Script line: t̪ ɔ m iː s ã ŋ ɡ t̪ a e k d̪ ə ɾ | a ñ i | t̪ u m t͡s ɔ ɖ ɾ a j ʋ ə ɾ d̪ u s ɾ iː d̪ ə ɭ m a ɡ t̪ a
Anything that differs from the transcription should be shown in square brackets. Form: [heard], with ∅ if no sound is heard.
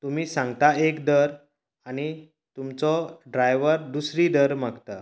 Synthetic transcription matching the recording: t̪ [u] m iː s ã ŋ ɡ t̪ a e k d̪ ə ɾ | a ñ i | t̪ u m t͡s ɔ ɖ ɾ a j ʋ ə ɾ d̪ u s ɾ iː d̪ ə [ɾ] m a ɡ t̪ a